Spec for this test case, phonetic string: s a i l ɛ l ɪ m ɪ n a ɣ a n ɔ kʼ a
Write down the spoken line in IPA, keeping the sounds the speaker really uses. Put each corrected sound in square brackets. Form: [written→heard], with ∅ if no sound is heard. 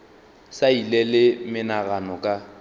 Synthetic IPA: s a i l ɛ l ɪ m ɪ n a ɣ a n ɔ kʼ a